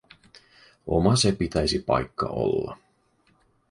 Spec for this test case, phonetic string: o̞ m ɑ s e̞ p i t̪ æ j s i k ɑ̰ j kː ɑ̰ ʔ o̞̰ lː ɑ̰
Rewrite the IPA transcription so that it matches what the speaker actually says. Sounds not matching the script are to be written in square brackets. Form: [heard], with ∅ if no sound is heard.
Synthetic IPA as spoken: o̞ m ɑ s e̞ p i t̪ æ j s i [p] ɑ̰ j kː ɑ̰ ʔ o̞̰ lː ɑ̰

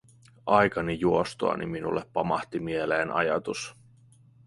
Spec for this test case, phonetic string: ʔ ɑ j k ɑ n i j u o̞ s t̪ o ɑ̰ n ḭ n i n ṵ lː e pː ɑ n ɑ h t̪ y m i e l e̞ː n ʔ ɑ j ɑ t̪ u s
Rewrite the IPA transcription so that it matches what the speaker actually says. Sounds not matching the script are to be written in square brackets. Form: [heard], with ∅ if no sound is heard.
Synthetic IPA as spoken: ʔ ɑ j k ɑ n i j u o̞ s t̪ o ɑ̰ n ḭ [m] i n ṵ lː e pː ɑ [m] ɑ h t̪ [i] m i e l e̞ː n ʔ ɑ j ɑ t̪ u s

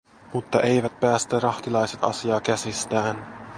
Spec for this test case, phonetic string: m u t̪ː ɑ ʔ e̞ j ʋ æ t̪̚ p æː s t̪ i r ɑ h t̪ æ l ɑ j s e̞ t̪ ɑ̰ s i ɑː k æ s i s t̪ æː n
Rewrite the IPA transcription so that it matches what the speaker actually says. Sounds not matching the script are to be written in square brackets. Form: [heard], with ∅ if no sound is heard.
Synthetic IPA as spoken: m u t̪ː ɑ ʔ e̞ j ʋ æ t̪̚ p æː s t̪ [æ] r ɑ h t̪ [i] l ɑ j s e̞ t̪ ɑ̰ s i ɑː k æ s i s t̪ æː n

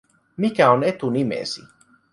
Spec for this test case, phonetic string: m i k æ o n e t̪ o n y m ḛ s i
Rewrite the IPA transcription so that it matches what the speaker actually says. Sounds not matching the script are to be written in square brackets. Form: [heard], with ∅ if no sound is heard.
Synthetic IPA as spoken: m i k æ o n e t̪ [u] n [i] m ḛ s i

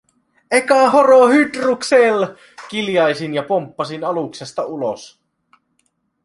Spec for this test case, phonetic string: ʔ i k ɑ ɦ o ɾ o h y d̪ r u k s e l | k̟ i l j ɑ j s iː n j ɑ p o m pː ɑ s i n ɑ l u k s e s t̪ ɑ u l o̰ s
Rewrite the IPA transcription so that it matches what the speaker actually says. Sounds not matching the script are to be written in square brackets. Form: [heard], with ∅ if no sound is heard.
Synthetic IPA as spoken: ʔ [e] k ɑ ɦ o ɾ o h y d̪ r u k s e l | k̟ i l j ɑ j s [i] n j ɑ p o m pː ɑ s i n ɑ l u k s e s t̪ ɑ u l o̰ s

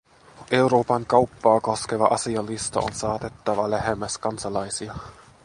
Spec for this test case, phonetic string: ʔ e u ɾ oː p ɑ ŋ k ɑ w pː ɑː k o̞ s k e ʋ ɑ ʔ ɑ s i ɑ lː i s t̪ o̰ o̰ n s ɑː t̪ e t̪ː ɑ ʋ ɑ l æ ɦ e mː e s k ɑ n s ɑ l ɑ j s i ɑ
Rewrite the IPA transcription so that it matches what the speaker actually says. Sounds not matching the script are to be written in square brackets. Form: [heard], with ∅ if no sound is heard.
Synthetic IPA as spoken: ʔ e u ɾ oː p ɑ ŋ k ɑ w pː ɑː k o̞ s k e ʋ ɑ ʔ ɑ s i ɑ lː i s t̪ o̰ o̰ n s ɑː t̪ e t̪ː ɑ ʋ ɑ l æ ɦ e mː [æ] s k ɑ n s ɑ l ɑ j s i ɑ

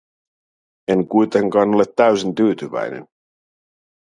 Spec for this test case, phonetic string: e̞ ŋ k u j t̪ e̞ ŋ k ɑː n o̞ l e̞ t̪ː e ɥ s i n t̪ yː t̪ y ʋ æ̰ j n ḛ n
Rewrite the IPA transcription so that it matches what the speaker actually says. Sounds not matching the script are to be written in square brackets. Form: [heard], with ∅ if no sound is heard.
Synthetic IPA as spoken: e̞ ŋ k u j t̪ e̞ ŋ k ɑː n o̞ l e̞ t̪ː [æ] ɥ s i n t̪ yː t̪ y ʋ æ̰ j n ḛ n

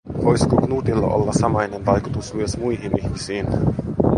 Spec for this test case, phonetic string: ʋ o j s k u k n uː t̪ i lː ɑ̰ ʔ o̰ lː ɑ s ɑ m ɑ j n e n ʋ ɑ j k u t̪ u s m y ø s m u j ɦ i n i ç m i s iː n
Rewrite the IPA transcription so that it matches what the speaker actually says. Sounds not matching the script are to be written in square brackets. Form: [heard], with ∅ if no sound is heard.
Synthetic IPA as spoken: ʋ o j s k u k n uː t̪ i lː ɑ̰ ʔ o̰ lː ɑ s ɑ m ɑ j n e n ʋ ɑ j k u t̪ u s m y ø s m u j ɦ i n i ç m i s iː n

